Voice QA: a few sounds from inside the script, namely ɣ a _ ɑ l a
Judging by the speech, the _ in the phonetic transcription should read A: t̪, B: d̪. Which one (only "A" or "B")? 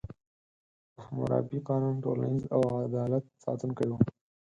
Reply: B